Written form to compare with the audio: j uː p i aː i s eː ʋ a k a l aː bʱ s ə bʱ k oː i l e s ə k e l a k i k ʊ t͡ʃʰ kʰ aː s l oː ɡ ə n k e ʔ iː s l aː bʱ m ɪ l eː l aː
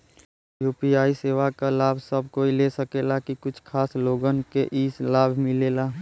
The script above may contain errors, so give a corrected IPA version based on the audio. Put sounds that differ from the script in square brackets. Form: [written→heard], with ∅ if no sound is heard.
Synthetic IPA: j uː p i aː i s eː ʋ a k a l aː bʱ s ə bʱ k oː i l e s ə k e l a k i k ʊ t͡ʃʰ kʰ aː s l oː ɡ ə n k e ʔ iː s l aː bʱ m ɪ l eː l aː

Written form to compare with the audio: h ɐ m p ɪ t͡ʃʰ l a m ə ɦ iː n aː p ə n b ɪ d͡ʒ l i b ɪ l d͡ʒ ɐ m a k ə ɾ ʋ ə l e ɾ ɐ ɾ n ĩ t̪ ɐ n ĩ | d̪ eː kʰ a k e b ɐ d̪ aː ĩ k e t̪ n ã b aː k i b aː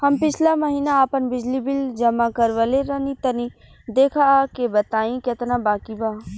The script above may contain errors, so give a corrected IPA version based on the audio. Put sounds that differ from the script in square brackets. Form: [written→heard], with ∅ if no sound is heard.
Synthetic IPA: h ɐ m p ɪ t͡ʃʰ l a m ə ɦ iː n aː p ə n b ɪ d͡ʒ l i b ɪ l d͡ʒ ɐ m a k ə ɾ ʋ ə l e ɾ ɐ [ɾ→∅] n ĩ t̪ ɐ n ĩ | d̪ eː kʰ a k e b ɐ [d̪→t̪] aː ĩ k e t̪ n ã b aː k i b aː

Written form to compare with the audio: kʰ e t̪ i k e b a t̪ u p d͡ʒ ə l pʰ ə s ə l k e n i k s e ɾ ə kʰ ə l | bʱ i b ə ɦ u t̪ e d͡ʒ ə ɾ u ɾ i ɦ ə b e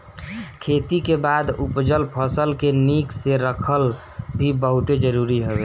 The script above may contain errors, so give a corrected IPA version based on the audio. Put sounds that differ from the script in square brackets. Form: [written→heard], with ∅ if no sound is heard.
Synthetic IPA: kʰ e t̪ i k e b a [t̪→d̪] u p d͡ʒ ə l pʰ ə s ə l k e n i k s e ɾ ə kʰ ə l | bʱ i b ə ɦ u t̪ e d͡ʒ ə ɾ u ɾ i ɦ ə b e

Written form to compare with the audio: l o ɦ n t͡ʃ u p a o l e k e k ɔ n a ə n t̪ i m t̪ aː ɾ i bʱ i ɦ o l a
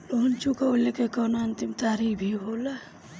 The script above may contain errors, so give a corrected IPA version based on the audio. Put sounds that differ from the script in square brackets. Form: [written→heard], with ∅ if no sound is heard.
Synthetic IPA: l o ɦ n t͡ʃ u [p→k] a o l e k e k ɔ n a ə n t̪ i m t̪ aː ɾ i bʱ i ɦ o l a

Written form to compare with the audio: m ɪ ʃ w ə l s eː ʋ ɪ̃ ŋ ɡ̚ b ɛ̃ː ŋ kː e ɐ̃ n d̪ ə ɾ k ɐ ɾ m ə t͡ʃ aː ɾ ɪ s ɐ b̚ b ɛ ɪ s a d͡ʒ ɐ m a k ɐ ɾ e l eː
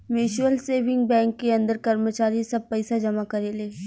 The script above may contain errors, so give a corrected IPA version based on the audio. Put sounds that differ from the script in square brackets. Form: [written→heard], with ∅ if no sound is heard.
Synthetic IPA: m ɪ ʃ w ə l s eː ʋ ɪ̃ ŋ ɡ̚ b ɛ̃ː ŋ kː e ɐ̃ n d̪ ə ɾ k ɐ ɾ m ə t͡ʃ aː ɾ [ɪ→i] s ɐ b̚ [b→p] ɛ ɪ s a d͡ʒ ɐ m a k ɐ ɾ e l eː

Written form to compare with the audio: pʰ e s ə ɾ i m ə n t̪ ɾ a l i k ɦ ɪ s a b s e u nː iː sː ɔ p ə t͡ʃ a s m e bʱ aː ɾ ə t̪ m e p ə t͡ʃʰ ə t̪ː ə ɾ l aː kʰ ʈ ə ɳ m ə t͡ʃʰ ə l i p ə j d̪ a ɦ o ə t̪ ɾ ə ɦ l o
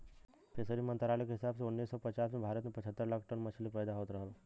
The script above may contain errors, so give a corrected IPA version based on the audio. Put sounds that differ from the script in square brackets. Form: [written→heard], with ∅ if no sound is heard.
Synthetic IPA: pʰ e s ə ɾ i m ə n t̪ ɾ a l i k ɦ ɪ s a b s e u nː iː sː ɔ p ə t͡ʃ a s m e bʱ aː ɾ ə t̪ m e p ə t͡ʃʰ ə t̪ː ə ɾ l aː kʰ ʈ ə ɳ m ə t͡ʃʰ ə l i p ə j d̪ a ɦ o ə t̪ ɾ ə ɦ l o

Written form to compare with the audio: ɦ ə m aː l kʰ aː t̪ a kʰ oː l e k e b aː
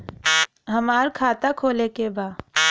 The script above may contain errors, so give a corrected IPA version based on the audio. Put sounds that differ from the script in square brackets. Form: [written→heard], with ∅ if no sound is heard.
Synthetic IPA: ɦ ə m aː [l→ɾ] kʰ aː t̪ a kʰ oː l e k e b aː

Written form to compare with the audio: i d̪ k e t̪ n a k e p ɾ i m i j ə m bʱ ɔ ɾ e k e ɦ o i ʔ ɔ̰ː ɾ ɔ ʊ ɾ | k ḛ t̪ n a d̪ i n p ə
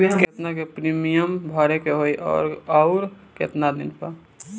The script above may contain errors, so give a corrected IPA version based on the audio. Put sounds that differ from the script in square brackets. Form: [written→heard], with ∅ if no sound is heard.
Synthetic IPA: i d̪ k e t̪ n a k e p ɾ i m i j ə m bʱ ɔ ɾ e k e ɦ o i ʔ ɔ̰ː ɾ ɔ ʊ ɾ | k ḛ t̪ n a d̪ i n p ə

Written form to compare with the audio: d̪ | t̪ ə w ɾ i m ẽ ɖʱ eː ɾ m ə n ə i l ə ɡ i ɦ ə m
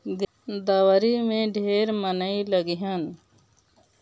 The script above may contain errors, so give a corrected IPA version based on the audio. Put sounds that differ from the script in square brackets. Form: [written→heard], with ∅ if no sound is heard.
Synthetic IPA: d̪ | [t̪→d̪] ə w ɾ i m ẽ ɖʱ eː ɾ m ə n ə i l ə ɡ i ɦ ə [m→n]

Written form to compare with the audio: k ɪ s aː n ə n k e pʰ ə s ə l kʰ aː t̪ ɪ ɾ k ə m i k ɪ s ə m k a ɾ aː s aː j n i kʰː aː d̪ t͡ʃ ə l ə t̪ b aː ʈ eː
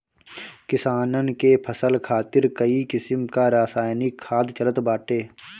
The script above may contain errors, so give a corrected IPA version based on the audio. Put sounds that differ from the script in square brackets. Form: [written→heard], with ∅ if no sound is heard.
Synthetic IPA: k ɪ s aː n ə n k e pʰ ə s ə l kʰ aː t̪ ɪ ɾ k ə [m→∅] i k ɪ s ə m k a ɾ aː s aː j n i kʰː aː d̪ t͡ʃ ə l ə t̪ b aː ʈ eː

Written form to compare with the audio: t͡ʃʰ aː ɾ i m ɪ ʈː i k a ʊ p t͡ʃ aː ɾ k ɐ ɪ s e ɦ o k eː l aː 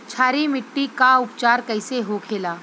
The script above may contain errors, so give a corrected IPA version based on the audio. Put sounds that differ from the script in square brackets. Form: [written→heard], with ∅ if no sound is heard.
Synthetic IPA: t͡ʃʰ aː ɾ i m ɪ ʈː i k a ʊ p t͡ʃ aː ɾ k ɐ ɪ s e ɦ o [k→kʰ] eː l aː

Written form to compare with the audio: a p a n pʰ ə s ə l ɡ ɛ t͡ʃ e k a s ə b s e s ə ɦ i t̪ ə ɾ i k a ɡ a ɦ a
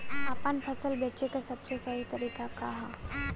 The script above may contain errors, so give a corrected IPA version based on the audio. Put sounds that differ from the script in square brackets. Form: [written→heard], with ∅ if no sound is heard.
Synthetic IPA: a p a n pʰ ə s ə l [ɡ→b] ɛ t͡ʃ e k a s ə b s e s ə ɦ i t̪ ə ɾ i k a [ɡ→k] a ɦ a

